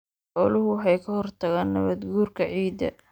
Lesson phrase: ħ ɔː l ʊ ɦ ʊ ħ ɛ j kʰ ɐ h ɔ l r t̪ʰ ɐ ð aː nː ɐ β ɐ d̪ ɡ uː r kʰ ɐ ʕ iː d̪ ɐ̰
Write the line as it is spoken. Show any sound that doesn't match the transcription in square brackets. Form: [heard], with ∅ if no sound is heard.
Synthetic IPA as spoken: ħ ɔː l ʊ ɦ ʊ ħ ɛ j kʰ ɐ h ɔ [∅] r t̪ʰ ɐ [ɣ] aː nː ɐ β ɐ d̪ ɡ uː r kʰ ɐ ʕ iː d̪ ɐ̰

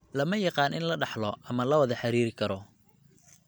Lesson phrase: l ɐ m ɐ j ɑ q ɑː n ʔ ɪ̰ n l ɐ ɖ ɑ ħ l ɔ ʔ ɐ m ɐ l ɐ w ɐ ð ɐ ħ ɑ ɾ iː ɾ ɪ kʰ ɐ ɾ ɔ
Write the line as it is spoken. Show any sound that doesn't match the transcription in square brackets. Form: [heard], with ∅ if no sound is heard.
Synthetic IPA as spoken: l ɐ m ɐ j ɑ q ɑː n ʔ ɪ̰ n l ɐ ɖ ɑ ħ l ɔ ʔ ɐ m ɐ l ɐ w ɐ ð ɐ ħ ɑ ɾ iː ɾ ɪ kʰ ɐ ɾ ɔ

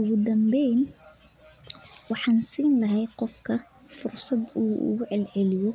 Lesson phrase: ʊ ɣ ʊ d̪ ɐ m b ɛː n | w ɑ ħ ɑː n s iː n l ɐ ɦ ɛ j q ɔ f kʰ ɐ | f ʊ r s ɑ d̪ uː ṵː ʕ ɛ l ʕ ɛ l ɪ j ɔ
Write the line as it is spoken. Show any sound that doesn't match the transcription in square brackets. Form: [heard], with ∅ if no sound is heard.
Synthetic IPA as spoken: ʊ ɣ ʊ d̪ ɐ m b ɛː n | w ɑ ħ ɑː n s iː n l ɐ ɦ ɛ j q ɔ f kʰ ɐ | f ʊ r s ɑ d̪ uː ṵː ʕ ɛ l ʕ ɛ l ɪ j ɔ

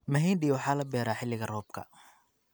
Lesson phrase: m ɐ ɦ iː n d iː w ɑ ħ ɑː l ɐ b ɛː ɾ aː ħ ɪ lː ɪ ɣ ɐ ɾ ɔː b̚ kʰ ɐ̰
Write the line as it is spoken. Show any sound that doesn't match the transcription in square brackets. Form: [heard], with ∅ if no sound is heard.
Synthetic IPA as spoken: m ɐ ɦ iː n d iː w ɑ ħ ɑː l ɐ b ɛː ɾ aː ħ ɪ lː ɪ ɣ ɐ [r] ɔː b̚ kʰ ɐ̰

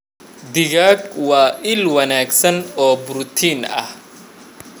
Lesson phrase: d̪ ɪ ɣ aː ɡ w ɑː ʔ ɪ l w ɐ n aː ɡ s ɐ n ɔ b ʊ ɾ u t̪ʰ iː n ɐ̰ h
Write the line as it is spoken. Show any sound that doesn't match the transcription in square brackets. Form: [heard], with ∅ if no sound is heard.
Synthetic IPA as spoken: d̪ ɪ ɣ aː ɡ w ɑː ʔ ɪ l w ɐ n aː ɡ s ɐ n [ɔː] b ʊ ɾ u t̪ʰ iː n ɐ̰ h

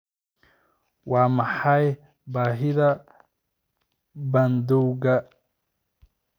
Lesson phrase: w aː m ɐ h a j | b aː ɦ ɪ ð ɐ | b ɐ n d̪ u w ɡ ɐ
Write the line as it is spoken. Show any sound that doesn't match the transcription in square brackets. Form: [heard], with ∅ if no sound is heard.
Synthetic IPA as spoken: w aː m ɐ [ħ] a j | b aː ɦ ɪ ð ɐ | b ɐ n d̪ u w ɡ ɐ

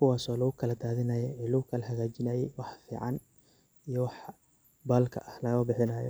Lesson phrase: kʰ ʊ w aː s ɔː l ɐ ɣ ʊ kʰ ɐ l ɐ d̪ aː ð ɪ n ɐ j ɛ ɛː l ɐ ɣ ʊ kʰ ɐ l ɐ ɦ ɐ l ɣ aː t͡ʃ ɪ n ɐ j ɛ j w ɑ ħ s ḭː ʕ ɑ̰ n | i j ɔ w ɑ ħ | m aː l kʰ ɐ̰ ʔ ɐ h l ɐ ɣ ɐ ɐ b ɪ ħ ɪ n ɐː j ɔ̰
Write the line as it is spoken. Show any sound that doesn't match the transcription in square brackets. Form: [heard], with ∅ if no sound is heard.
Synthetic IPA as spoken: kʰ ʊ w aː s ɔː l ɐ ɣ ʊ kʰ ɐ l ɐ d̪ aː ð ɪ n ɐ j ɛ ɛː l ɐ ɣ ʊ kʰ ɐ l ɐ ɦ ɐ [∅] ɣ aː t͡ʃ ɪ n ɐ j ɛ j w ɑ ħ [f] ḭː ʕ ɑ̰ n | i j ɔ w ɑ ħ | [b] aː l kʰ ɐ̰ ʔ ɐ h l ɐ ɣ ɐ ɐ b ɪ ħ ɪ n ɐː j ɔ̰

